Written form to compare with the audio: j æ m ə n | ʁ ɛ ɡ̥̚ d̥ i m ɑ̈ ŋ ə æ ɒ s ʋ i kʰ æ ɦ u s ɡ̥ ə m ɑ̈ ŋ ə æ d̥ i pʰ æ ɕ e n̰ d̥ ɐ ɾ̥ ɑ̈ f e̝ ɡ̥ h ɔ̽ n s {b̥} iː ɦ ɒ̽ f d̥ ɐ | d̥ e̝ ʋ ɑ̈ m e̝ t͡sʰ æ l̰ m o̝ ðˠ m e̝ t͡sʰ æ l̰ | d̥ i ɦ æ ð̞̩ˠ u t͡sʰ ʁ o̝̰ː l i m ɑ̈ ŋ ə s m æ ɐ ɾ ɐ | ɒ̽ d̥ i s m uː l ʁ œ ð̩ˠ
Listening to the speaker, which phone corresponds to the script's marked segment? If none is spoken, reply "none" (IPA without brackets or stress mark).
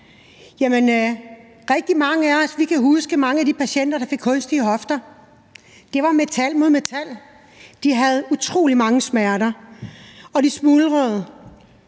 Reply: d̥